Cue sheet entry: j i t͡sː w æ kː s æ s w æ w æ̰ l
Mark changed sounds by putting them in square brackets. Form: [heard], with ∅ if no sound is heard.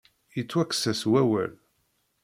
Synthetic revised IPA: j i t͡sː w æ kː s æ s w æ w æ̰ l